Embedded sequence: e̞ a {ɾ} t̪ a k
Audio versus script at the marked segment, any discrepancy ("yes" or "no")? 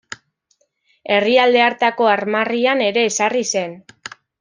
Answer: no